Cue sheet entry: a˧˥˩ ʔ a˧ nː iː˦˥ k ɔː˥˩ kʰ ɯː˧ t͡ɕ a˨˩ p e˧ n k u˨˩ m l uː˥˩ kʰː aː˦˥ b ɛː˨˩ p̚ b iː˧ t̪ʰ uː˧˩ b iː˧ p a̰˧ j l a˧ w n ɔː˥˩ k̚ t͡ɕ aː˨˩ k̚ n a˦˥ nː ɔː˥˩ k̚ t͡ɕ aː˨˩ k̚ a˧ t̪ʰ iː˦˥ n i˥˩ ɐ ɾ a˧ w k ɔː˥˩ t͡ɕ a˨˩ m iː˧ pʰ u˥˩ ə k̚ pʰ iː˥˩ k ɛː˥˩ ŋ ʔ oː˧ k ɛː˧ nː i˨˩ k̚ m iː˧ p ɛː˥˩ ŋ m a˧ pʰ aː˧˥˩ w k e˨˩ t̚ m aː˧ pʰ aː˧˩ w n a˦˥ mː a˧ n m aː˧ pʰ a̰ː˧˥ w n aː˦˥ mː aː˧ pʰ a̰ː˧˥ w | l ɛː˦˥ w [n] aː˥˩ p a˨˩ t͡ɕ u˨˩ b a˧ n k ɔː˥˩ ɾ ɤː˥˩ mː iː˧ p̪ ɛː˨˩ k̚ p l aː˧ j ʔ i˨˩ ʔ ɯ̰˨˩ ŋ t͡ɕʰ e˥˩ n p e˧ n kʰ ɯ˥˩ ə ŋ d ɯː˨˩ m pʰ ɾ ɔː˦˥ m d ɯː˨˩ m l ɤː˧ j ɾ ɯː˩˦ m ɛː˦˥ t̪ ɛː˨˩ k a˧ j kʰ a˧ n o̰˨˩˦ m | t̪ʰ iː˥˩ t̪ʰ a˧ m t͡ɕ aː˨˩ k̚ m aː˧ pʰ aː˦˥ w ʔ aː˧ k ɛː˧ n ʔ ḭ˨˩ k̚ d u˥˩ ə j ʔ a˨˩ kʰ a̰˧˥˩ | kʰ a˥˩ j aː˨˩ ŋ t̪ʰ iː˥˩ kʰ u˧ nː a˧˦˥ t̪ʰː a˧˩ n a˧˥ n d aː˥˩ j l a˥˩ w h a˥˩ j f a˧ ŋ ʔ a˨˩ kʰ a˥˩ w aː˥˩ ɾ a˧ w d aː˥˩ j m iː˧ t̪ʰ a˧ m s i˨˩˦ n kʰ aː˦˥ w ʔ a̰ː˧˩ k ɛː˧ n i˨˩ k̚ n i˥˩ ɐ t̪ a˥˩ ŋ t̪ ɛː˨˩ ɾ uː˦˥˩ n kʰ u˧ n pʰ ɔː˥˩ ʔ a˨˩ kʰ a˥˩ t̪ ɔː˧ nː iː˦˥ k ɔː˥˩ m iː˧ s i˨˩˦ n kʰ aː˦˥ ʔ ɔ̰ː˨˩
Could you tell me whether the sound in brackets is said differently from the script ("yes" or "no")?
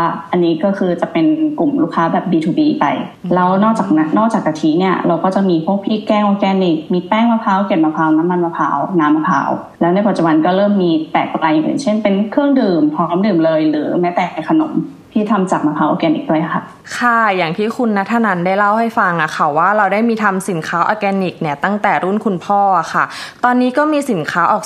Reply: no